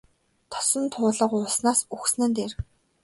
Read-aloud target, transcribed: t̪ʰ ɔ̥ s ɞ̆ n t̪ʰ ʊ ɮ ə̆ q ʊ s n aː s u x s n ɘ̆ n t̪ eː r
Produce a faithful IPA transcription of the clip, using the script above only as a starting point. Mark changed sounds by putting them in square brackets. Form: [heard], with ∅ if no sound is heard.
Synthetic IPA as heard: t̪ʰ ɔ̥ s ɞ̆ n t̪ʰ [ʊː] ɮ ə̆ q ʊ s n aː s u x s n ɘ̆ n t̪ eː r